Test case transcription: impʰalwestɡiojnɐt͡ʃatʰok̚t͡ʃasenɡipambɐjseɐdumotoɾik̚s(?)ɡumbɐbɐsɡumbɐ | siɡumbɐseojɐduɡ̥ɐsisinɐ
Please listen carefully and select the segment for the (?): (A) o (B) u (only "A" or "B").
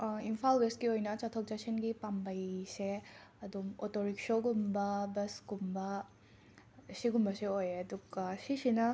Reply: A